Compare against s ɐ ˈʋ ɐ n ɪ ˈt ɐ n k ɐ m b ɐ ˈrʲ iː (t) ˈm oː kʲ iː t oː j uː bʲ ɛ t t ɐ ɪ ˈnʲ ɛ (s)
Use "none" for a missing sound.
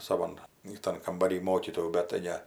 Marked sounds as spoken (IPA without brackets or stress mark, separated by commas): none, none